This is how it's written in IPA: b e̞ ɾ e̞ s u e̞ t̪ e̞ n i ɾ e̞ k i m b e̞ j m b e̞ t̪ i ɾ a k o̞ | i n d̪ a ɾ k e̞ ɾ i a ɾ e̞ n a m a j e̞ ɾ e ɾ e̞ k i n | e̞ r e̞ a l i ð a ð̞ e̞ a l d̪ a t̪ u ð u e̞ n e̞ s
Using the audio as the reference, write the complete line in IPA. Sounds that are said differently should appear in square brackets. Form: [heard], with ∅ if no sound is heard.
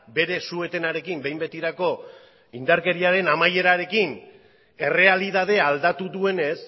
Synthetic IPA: b e̞ ɾ e̞ s u e̞ t̪ e̞ n [a] ɾ e̞ k i m b e̞ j m b e̞ t̪ i ɾ a k o̞ | i n d̪ a ɾ k e̞ ɾ i a ɾ e̞ n a m a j e̞ ɾ [a] ɾ e̞ k i n | e̞ r e̞ a l i ð a ð̞ e̞ a l d̪ a t̪ u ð u e̞ n e̞ s

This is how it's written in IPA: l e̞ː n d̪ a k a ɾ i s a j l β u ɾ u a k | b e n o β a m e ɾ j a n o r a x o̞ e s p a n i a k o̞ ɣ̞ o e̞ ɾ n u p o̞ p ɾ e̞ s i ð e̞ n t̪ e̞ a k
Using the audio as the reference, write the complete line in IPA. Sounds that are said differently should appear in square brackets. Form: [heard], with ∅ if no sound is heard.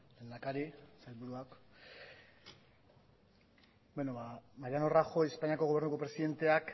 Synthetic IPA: l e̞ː n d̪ a k a ɾ i s a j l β u ɾ u a k | b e n o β a m [a] ɾ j a n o r a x o̞ e s p a [ɲ] i a k o̞ ɣ̞ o e̞ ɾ n u [k] o̞ p ɾ e̞ s i ð e̞ n t̪ e̞ a k

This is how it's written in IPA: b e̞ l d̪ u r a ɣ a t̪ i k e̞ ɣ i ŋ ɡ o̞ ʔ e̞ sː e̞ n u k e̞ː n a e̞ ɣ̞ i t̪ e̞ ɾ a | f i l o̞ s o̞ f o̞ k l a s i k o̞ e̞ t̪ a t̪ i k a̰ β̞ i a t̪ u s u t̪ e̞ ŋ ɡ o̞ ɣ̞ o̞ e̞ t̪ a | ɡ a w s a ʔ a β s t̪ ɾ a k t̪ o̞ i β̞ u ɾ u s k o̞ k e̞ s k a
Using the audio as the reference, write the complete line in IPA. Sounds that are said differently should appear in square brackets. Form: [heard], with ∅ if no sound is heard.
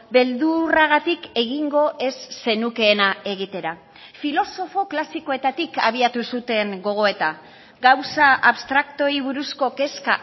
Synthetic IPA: b e̞ l d̪ u r a ɣ a t̪ i k e̞ ɣ i ŋ ɡ o̞ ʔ e̞ sː e̞ n u k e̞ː n a e̞ ɣ̞ i t̪ e̞ ɾ a | f i l o̞ s o̞ f o̞ k l a s i k o̞ e̞ t̪ a t̪ i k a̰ β̞ i a t̪ u s u t̪ e̞ ŋ ɡ o̞ ɣ̞ o̞ e̞ t̪ a | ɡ a w s a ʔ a β s t̪ ɾ a k t̪ o̞ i β̞ u ɾ u s k o̞ k e̞ s k a

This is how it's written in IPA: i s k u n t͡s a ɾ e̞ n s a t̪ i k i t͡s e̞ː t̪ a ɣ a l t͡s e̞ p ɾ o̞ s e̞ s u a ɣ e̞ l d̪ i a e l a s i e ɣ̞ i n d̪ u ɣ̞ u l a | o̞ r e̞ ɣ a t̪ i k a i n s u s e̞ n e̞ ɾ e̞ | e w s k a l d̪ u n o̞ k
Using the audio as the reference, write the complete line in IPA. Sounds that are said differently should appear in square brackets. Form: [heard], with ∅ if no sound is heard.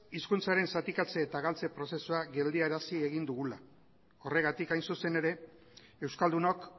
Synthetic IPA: i s k u n t͡s a ɾ e̞ n s a t̪ i k [a] t͡s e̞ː t̪ a ɣ a l t͡s e̞ p ɾ o̞ s e̞ s u a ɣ e̞ l d̪ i a e [ɾ] a s i e ɣ̞ i n d̪ u ɣ̞ u l a | o̞ r e̞ ɣ a t̪ i k a [j] n s u s e̞ n e̞ ɾ e̞ | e w s k a l d̪ u n o̞ k

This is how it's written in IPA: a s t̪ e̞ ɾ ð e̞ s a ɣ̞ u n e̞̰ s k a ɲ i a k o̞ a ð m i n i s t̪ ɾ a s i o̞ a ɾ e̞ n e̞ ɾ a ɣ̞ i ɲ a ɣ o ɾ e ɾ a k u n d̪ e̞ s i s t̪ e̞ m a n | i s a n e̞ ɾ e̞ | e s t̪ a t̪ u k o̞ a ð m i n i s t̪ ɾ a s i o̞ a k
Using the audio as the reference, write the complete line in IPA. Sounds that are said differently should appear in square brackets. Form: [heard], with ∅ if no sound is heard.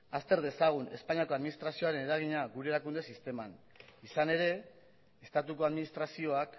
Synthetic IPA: a s t̪ e̞ ɾ ð e̞ s a ɣ̞ u n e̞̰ s [p] a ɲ i a k o̞ a ð m i n i s t̪ ɾ a s i o̞ a ɾ e̞ n e̞ ɾ a ɣ̞ i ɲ a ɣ [u] ɾ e ɾ a k u n d̪ e̞ s i s t̪ e̞ m a n | i s a n e̞ ɾ e̞ | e s t̪ a t̪ u k o̞ a ð m i n i s t̪ ɾ a s i o̞ a k

